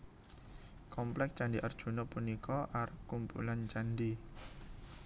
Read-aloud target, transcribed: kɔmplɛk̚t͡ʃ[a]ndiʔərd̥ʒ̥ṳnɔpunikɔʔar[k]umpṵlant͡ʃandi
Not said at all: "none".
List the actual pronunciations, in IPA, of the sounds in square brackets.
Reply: a, k

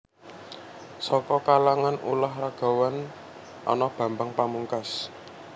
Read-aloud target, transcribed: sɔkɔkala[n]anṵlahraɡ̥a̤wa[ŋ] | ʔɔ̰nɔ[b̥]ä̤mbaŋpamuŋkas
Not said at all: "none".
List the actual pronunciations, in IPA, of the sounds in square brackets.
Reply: ŋ, n, b̥

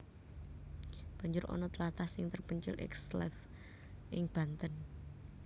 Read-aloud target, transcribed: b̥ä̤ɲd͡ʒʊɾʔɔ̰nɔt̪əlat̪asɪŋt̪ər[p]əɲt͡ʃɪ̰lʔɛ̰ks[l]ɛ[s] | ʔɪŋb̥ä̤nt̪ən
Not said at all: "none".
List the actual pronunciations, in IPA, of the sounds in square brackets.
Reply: p, l, f

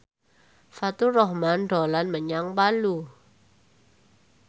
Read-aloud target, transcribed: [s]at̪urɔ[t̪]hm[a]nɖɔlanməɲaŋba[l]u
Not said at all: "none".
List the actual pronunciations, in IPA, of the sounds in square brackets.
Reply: f, none, a, l

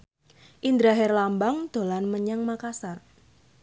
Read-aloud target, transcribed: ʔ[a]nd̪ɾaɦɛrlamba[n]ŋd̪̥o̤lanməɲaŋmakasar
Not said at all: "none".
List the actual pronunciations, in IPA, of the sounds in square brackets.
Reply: i, none

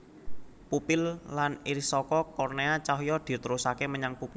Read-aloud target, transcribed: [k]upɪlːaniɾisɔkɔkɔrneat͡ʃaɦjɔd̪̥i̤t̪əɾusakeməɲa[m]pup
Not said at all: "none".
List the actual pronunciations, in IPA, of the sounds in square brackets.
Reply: p, ŋ

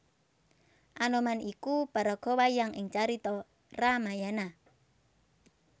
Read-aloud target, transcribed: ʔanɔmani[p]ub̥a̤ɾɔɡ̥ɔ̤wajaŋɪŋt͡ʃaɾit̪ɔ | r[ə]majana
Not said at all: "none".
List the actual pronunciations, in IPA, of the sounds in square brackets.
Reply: k, a

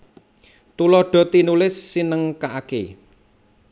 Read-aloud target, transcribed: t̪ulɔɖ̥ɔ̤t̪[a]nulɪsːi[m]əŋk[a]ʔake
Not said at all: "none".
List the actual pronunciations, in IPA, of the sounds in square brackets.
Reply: i, n, a

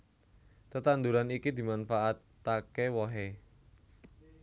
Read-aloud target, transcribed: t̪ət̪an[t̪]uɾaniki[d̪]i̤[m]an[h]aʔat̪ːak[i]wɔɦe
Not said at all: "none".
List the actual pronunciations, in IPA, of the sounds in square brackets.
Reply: d̪, d̪, m, f, e

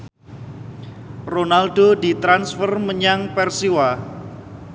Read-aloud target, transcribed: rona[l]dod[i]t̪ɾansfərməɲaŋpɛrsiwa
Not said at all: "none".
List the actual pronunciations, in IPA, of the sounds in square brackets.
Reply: l, i

